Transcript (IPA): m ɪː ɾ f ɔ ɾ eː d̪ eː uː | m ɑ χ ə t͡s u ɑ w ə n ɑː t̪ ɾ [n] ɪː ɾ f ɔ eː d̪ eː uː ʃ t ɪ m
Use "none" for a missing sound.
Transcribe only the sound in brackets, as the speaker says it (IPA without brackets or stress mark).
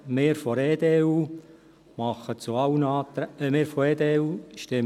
m